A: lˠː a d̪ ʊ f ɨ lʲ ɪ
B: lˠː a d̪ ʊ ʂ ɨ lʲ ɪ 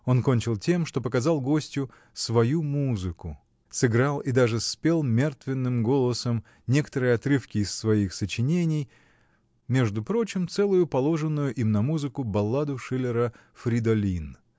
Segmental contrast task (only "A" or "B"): B